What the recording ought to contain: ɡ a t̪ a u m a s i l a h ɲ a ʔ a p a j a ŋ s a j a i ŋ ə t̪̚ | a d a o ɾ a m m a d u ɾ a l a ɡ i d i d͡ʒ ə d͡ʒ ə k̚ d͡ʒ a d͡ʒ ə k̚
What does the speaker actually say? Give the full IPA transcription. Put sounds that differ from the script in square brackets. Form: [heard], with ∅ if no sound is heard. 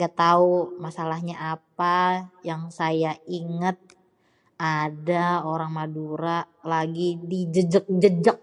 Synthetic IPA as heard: ɡ a t̪ a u m a s [a] l a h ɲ a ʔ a p a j a ŋ s a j a i ŋ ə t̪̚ | a d a o ɾ a [ŋ] m a d u ɾ a l a ɡ i d i d͡ʒ ə d͡ʒ ə k̚ d͡ʒ [ə] d͡ʒ ə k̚

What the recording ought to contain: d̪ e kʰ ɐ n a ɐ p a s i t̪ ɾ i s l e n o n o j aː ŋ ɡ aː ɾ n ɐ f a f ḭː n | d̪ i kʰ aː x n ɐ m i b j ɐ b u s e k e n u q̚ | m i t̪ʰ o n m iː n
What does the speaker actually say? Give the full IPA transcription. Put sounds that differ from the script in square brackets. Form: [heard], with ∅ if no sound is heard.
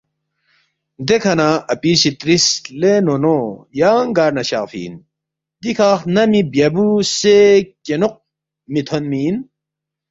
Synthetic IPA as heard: d̪ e kʰ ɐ n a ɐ p [i] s i t̪ ɾ i s l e n o n o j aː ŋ ɡ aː ɾ n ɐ [ɕ] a f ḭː n | d̪ i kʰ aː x n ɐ m i b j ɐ b u s e k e n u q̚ | m i t̪ʰ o n m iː n

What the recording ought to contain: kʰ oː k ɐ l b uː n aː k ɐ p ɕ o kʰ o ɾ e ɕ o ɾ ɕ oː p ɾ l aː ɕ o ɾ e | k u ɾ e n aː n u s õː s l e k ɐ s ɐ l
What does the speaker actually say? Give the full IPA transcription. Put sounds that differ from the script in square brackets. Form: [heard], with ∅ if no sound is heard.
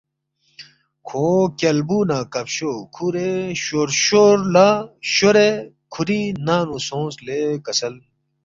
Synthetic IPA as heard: kʰ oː k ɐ l b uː n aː k ɐ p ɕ o kʰ [u] ɾ e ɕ o ɾ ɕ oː [∅] ɾ l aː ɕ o ɾ e | [kʰ] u ɾ [i] n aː n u s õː s l e k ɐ s ɐ l

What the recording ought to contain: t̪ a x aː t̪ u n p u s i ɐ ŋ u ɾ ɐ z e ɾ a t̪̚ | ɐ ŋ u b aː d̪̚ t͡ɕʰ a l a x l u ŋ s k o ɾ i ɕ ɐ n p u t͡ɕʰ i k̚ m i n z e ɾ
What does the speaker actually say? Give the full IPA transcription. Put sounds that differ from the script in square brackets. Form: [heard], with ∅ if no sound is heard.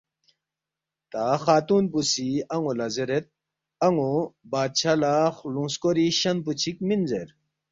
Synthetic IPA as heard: t̪ a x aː t̪ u n p u s i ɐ ŋ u [l] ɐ z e ɾ [e] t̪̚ | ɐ ŋ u b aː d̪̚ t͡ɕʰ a l a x l u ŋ s k o ɾ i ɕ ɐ n p u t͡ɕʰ i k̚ m i n z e ɾ

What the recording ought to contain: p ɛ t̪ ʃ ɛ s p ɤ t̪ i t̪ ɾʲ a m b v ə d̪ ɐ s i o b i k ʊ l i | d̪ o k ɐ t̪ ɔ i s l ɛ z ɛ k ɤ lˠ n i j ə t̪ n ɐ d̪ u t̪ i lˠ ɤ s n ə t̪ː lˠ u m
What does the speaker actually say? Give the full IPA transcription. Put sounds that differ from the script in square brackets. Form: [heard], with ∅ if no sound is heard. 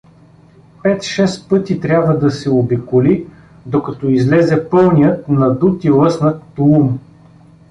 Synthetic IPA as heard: p ɛ t̪ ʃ ɛ s p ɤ t̪ i t̪ ɾʲ a [∅] b v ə d̪ ɐ s [ɛ] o b i k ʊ l i | d̪ o k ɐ t̪ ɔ i [z] l ɛ z ɛ [p] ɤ lˠ n i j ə t̪ n ɐ d̪ u t̪ i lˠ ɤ s n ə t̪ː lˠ u m

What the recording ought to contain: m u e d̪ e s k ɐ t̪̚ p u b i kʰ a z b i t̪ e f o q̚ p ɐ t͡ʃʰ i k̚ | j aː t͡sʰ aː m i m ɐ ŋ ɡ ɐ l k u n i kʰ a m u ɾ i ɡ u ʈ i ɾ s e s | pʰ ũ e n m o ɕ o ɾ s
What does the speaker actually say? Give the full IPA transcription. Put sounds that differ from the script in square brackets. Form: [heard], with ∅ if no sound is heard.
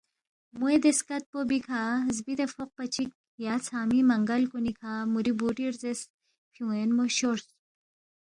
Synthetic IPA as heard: m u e d̪ e s k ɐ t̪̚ p [o] b i kʰ a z b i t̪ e f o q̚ p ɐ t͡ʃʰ i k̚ | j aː t͡sʰ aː m i m ɐ ŋ ɡ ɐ l k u n i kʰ a m u ɾ i [b] u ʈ i ɾ [z] e s | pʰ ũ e n m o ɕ o ɾ s

